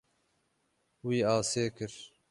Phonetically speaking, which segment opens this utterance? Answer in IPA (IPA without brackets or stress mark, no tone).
w